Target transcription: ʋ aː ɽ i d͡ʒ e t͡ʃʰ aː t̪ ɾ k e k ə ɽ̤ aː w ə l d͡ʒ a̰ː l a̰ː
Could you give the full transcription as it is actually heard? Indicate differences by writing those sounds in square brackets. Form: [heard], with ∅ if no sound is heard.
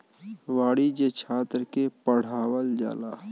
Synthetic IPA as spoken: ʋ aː ɽ i d͡ʒ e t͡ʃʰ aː t̪ ɾ k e [p] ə ɽ̤ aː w ə l d͡ʒ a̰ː l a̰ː